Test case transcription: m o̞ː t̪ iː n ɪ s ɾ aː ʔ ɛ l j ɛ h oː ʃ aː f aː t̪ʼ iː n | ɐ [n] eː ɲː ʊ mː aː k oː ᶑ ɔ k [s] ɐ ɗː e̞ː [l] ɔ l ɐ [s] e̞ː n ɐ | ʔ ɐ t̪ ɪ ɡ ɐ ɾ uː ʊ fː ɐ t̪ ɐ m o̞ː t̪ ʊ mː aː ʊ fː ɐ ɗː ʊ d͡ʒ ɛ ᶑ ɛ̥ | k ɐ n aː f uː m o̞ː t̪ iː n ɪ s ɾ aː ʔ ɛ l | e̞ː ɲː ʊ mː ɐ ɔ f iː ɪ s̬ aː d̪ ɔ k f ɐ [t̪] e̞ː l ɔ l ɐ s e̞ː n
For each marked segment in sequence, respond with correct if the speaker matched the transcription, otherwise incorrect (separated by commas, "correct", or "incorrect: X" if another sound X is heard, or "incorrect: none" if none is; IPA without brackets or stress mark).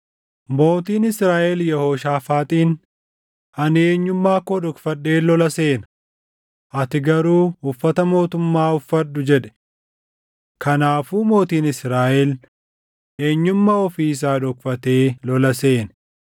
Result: correct, incorrect: f, correct, correct, correct